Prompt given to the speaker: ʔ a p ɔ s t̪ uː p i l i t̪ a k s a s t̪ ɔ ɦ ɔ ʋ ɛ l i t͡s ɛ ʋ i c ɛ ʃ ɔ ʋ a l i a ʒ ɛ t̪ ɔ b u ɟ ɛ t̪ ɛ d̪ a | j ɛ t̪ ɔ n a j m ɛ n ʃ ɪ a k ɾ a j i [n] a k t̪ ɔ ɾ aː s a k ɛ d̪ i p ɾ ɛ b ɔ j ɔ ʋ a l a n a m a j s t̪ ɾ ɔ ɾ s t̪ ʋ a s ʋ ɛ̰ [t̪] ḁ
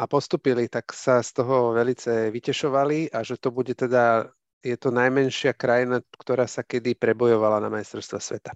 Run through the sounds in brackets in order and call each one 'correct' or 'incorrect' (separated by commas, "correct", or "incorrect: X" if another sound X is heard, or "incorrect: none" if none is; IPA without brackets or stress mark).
correct, correct